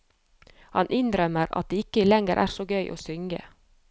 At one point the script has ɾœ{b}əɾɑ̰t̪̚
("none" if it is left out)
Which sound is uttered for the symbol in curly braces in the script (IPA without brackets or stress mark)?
m